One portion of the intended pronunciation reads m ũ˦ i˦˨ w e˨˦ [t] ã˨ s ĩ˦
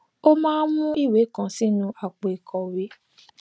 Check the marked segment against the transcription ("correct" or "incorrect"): incorrect